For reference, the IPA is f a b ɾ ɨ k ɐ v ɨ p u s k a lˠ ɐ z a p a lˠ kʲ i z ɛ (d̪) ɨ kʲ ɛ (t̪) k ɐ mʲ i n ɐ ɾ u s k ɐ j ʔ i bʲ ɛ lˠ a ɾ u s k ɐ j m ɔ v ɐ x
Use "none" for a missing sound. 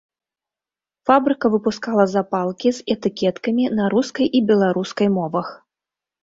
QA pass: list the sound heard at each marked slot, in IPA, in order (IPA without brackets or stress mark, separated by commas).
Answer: t̪, t̪